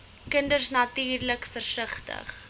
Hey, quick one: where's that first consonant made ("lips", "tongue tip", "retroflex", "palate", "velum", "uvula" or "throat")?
velum